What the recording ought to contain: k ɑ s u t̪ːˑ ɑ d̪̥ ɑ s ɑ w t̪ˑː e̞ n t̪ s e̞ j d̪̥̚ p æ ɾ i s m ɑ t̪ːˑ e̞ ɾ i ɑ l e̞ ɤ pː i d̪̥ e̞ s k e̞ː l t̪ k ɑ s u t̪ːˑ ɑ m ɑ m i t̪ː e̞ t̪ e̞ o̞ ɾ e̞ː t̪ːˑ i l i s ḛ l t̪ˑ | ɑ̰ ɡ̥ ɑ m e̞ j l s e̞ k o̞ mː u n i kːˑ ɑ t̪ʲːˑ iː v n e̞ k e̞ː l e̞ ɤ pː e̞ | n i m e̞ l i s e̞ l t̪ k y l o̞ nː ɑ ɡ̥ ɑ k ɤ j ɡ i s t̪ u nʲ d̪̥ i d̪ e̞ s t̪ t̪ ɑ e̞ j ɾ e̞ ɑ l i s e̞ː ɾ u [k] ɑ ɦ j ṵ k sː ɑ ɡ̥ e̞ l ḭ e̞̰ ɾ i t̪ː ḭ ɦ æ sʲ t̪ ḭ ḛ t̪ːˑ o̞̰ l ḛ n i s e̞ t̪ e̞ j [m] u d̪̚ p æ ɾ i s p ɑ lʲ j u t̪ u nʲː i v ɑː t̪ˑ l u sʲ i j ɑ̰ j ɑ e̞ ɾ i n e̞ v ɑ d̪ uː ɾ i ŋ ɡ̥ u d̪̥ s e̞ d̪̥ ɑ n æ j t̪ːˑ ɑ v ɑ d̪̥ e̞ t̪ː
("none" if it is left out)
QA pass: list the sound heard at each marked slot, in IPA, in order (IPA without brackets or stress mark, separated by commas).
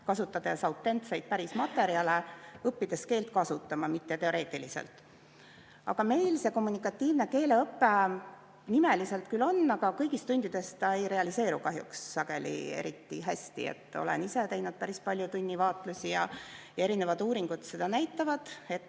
k, n